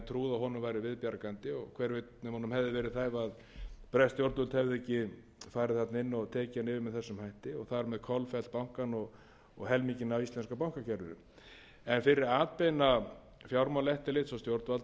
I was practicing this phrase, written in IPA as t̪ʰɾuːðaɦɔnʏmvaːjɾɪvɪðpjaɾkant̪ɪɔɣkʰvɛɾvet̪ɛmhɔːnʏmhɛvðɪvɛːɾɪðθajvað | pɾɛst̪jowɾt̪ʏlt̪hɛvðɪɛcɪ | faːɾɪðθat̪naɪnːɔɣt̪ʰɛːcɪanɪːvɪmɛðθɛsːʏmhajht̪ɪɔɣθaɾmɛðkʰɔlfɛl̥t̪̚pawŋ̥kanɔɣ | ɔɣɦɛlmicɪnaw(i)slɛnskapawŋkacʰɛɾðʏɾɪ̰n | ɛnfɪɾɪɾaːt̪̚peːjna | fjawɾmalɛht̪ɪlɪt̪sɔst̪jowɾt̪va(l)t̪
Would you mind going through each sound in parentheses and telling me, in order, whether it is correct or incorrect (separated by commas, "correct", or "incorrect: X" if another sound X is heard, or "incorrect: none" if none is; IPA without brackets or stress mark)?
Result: correct, correct